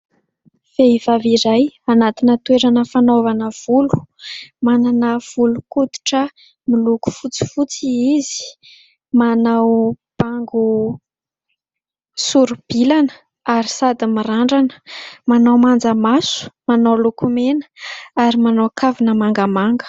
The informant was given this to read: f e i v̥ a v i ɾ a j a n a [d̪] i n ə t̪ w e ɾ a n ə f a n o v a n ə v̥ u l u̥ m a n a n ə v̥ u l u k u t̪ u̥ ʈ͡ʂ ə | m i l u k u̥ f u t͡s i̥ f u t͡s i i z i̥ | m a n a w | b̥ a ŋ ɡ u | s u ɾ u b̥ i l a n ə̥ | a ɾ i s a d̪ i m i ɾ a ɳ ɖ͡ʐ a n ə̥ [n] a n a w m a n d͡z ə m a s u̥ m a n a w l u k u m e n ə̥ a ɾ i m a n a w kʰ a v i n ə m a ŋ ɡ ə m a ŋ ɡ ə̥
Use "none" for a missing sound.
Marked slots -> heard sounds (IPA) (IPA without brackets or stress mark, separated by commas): t̪, m